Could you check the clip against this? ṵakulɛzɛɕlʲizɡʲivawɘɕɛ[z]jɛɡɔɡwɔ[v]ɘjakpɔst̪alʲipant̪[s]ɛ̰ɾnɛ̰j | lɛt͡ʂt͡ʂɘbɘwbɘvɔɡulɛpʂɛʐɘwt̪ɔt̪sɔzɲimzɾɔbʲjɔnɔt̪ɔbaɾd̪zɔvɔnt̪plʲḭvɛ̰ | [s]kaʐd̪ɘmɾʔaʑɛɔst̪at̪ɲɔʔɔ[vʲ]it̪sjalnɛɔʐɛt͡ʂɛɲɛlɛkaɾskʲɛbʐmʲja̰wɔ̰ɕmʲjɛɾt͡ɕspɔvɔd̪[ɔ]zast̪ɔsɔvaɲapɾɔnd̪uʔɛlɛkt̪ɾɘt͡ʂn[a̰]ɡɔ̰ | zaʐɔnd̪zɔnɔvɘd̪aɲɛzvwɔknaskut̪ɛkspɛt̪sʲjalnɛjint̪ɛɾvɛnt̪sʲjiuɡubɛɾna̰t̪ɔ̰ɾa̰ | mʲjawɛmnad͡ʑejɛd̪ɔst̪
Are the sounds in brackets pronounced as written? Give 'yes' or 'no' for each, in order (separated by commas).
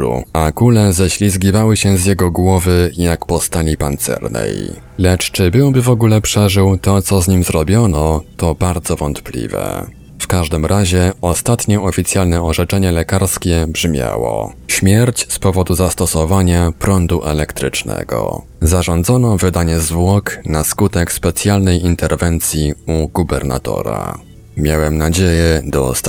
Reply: yes, yes, yes, no, no, no, no